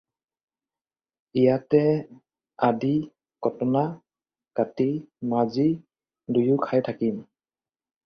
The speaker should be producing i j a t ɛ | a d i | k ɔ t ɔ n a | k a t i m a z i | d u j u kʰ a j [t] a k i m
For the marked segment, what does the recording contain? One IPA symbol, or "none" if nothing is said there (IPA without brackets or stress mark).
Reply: tʰ